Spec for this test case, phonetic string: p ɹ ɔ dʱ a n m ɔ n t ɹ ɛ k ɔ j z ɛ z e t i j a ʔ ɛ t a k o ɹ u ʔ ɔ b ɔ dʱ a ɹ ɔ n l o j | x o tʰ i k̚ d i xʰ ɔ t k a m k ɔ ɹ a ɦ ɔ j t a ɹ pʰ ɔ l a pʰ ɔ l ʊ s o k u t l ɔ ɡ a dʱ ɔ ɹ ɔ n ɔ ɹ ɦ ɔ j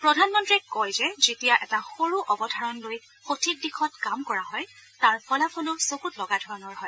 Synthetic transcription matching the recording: p ɹ ɔ dʱ a n m ɔ n t ɹ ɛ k ɔ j z ɛ z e t i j a ʔ ɛ t a x o ɹ u ʔ ɔ b ɔ dʱ a ɹ ɔ n l o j | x o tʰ i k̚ d i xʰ ɔ t k a m k ɔ ɹ a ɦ ɔ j t a ɹ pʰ ɔ l a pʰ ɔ l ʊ s o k u t l ɔ ɡ a dʱ ɔ ɹ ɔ n ɔ ɹ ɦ ɔ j